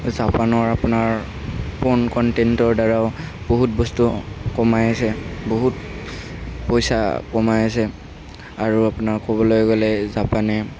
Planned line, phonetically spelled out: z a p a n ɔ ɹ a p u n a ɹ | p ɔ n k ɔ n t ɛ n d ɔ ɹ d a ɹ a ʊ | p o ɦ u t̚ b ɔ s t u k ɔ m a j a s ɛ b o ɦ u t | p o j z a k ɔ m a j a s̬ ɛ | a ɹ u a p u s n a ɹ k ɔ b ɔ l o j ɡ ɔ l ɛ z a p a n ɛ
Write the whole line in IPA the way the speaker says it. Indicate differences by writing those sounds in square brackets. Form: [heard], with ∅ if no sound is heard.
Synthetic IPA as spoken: z a p a n ɔ ɹ a p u n a ɹ | p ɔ n k ɔ n t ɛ n [t] ɔ ɹ d a ɹ a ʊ | [b] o ɦ u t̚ b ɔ s t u k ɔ m a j a s ɛ b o ɦ u t | p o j [s] a k ɔ m a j a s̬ ɛ | a ɹ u a p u [∅] n a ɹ k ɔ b ɔ l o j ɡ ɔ l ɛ z a p a n ɛ